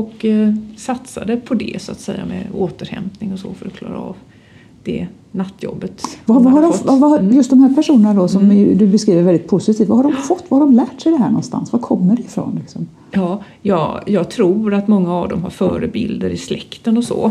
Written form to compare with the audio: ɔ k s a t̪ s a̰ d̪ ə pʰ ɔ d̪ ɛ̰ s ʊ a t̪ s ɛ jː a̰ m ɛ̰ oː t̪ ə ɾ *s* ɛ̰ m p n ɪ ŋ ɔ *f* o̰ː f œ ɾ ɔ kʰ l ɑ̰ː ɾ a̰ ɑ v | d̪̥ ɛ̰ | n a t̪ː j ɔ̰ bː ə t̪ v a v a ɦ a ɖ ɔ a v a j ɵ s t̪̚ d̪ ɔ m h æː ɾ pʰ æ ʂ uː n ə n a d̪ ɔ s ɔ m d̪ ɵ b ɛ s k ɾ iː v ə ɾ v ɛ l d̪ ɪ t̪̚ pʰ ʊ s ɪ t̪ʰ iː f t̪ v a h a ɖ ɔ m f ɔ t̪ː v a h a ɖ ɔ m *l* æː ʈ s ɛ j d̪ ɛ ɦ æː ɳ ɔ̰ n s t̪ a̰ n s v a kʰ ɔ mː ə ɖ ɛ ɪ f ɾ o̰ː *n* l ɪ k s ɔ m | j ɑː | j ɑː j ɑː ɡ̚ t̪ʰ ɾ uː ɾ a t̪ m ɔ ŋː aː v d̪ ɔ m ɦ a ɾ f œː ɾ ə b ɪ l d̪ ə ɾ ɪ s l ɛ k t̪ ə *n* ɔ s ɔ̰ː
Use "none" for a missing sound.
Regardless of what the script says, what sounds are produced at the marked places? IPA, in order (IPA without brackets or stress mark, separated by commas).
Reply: h, s, l, n, n